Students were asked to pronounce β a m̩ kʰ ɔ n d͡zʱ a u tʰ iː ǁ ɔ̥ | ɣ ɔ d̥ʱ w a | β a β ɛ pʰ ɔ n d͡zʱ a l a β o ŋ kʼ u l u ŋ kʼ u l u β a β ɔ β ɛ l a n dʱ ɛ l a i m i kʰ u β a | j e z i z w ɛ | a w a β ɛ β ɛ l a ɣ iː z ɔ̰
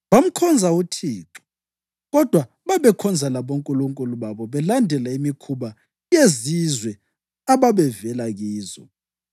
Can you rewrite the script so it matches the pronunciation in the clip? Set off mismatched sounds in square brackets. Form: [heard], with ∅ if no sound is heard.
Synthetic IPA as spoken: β a m̩ kʰ ɔ n d͡zʱ a u tʰ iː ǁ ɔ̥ | ɣ ɔ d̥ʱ w a | β a β ɛ [kʰ] ɔ n d͡zʱ a l a β o ŋ kʼ u l u ŋ kʼ u l u β a β ɔ β ɛ l a n dʱ ɛ l a i m i kʰ u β a | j e z i z w ɛ | a [β] a β ɛ [v] ɛ l a ɣ iː z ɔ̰

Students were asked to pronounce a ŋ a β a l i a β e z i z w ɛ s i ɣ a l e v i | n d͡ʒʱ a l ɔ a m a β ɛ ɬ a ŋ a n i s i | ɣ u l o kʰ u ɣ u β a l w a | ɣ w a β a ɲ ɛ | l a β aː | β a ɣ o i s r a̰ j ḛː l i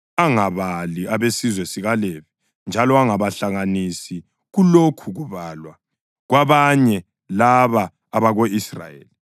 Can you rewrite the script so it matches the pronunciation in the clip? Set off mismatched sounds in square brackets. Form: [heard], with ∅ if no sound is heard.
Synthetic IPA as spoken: a ŋ a β a l i a β e [s] i z w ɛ s i ɣ a l e v i | n d͡ʒʱ a l ɔ a [ŋ] a β [a] ɬ a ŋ a n i s i | ɣ u l o kʰ u ɣ u β a l w a | ɣ w a β a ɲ ɛ | l a β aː | β a ɣ o i s r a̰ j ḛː l i

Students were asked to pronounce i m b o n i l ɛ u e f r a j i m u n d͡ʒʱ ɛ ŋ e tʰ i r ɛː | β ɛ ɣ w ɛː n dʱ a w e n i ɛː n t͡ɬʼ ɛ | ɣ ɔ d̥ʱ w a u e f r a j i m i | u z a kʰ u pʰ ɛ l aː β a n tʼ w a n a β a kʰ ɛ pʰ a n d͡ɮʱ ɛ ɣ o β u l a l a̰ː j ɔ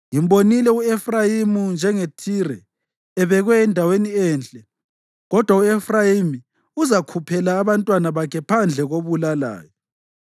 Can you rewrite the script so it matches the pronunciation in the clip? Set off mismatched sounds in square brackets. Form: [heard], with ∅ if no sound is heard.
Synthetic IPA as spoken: i m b o n i l ɛ u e f r a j i m u n d͡ʒʱ ɛ ŋ e tʰ i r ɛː | β ɛ ɣ w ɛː n dʱ a w e n i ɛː n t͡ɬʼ ɛ | ɣ ɔ d̥ʱ w a u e f r a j i m i | u z a kʰ u pʰ ɛ l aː β a n tʼ w a n a β a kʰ ɛ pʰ a n d͡ɮʱ ɛ ɣ o β u l a l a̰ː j ɔ

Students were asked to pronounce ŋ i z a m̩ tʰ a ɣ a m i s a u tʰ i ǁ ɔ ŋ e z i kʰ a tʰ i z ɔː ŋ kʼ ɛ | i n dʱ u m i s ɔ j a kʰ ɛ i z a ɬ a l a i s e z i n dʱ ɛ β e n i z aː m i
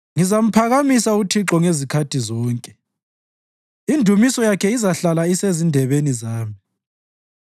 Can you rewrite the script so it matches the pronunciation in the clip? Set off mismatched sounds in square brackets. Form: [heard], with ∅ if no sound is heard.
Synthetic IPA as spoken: ŋ i z a m̩ [pʰ] a ɣ a m i s a u tʰ i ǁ ɔ ŋ e z i kʰ a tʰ i z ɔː ŋ kʼ ɛ | i n dʱ u m i s ɔ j a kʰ ɛ i z a ɬ a l a i s e z i n dʱ ɛ β e n i z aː m i

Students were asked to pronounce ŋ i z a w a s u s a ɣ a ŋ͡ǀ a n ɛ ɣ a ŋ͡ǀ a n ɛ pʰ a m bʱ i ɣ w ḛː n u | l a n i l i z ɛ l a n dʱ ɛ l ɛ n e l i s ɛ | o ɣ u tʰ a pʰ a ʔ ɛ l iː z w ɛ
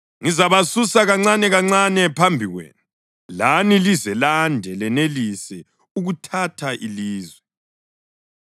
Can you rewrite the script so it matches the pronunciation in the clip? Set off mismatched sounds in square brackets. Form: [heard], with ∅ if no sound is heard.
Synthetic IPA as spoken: ŋ i z a [β] a s u s a ɣ a ŋ͡ǀ a n ɛ ɣ a ŋ͡ǀ a n ɛ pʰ a m bʱ i ɣ w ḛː n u | l a n i l i z ɛ l a n dʱ ɛ l ɛ n e l i s ɛ | [u] ɣ u tʰ a [tʰ] a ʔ [i] l iː z w ɛ

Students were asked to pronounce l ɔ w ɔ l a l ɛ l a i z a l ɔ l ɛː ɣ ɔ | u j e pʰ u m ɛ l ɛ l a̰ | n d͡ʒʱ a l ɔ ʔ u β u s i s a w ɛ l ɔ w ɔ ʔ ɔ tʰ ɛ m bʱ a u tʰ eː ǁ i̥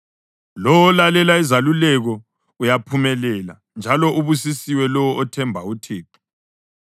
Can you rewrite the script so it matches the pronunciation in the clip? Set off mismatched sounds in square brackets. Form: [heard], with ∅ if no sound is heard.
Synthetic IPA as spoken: l ɔ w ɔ l a l ɛ l a i z a l [u] l [ɛ] ɣ ɔ | u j [a] pʰ u m ɛ l ɛ l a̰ | n d͡ʒʱ a l ɔ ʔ u β u s i s [i] w ɛ l ɔ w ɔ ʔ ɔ tʰ ɛ m bʱ a u tʰ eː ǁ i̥

